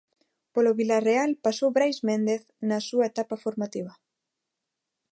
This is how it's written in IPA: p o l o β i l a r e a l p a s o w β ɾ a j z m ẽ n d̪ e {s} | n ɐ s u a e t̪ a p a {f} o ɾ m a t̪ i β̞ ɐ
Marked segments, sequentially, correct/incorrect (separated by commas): incorrect, correct